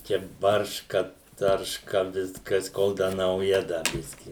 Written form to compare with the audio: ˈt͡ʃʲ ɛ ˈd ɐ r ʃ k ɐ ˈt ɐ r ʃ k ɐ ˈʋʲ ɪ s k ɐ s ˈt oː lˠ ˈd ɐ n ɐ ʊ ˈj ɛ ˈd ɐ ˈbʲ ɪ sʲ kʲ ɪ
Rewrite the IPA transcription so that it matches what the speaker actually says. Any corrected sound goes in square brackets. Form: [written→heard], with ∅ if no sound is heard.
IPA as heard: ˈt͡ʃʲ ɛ [ˈd→ˈb] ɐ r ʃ k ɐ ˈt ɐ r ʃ k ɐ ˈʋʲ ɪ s k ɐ s [ˈt→ˈk] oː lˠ ˈd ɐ n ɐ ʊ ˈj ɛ ˈd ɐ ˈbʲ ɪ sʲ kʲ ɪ